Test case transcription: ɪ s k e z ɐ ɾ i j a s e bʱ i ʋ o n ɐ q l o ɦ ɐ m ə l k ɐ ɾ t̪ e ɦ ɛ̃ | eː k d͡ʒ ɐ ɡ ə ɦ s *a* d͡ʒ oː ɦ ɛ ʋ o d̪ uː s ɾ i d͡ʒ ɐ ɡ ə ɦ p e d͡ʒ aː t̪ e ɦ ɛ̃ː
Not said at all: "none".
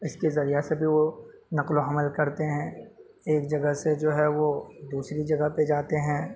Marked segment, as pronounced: e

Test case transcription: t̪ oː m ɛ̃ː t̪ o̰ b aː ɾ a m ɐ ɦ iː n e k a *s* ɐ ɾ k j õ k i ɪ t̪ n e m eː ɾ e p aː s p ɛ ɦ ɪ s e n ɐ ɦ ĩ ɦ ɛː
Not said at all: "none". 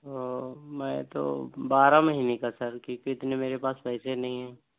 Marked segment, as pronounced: s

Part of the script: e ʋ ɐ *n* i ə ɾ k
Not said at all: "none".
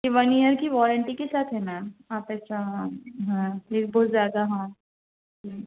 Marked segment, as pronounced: n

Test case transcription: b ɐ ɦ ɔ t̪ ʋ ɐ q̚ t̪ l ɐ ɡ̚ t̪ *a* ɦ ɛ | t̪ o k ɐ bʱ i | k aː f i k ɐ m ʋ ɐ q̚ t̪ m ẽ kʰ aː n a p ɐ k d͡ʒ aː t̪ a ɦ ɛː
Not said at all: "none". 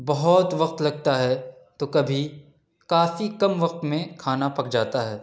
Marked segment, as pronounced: a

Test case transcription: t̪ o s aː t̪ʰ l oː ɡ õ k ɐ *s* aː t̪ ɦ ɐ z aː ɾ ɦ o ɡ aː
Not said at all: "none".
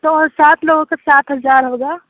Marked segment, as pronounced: s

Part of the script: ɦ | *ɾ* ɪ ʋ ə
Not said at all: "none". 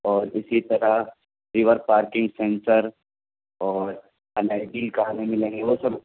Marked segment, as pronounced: ɾ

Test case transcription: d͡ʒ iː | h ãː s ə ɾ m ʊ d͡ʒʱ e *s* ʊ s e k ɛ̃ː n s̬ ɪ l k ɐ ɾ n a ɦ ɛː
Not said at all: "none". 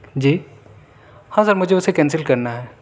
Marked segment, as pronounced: none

